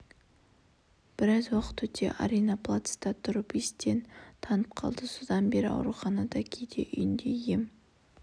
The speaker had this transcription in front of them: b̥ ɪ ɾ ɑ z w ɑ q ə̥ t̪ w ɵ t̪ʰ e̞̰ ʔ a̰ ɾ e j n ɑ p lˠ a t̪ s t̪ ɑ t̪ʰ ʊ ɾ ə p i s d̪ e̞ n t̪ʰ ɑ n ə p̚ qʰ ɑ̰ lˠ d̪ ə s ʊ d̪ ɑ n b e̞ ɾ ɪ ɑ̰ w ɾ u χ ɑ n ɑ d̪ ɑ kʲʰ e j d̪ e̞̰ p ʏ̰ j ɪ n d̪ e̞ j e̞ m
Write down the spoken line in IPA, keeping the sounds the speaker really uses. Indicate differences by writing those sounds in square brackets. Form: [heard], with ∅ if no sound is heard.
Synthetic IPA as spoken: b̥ ɪ ɾ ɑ z w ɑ q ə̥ t̪ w ɵ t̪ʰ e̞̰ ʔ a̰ ɾ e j n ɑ p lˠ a t̪ s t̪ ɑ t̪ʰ ʊ ɾ ə p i s [t̪] e̞ n t̪ʰ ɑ n ə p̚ qʰ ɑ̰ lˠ d̪ ə s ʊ d̪ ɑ n b e̞ ɾ ɪ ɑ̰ w ɾ u χ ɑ n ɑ d̪ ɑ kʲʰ e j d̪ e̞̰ [ʔ] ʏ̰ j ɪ n d̪ e̞ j e̞ m